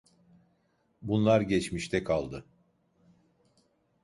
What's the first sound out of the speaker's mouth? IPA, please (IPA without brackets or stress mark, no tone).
b